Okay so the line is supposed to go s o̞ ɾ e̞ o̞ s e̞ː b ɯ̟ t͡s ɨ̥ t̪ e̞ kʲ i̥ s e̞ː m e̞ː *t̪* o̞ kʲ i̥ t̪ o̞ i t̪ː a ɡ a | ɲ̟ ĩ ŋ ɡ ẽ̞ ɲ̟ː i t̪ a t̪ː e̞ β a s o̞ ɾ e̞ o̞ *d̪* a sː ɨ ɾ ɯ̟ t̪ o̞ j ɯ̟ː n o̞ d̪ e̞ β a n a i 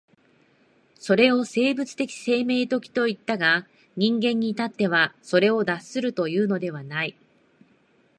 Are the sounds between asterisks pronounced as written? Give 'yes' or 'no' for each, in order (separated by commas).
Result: yes, yes